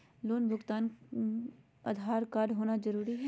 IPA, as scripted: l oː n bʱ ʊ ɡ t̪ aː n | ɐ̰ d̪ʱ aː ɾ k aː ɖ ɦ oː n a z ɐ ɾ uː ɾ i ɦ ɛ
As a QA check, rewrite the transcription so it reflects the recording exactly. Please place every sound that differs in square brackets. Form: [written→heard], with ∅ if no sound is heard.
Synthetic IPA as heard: l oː n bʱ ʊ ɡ t̪ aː n | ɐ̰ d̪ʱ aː ɾ k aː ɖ ɦ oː n a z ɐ ɾ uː ɾ i ɦ ɛ

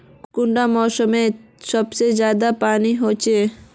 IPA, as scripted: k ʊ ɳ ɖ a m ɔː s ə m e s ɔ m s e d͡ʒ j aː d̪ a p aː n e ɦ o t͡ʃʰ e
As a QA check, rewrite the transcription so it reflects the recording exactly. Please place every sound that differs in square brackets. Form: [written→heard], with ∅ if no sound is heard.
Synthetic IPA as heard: k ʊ ɳ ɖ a m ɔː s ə m e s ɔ [m→b] s e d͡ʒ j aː d̪ a p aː n [e→i] ɦ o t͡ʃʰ e

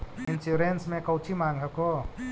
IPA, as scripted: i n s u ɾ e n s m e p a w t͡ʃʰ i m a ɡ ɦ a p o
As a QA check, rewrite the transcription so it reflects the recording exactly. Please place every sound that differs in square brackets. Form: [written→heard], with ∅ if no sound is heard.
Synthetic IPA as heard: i n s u ɾ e n s m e [p→k] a w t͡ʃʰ i m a [ɡ→ŋ] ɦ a [p→k] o

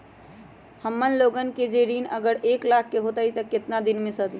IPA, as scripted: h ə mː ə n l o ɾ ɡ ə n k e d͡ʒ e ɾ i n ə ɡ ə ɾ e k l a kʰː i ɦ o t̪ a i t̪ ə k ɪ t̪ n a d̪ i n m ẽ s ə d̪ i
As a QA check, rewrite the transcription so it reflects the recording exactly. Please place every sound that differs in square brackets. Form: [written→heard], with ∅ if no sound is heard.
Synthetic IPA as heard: h ə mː ə n l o [ɾ→∅] ɡ ə n k e d͡ʒ e ɾ i n ə ɡ ə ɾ e k l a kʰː [i→e] ɦ o t̪ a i t̪ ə k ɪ t̪ n a d̪ i n m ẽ s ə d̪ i

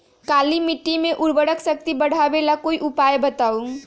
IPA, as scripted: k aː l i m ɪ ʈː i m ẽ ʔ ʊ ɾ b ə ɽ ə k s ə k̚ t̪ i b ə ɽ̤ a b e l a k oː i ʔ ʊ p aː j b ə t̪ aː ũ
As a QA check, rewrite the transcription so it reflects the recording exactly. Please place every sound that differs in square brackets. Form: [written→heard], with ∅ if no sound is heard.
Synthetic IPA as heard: k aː l i m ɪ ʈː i m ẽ ʔ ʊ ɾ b ə ɽ ə k s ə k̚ t̪ i b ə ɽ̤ a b e l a k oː i ʔ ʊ p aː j b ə t̪ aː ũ

